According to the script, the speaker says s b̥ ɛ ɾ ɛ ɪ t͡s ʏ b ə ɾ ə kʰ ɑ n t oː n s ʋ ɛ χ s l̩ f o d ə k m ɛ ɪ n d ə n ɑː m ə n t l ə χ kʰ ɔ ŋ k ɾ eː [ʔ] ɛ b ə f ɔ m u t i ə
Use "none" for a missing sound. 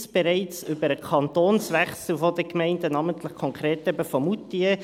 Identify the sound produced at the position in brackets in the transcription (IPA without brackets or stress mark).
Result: t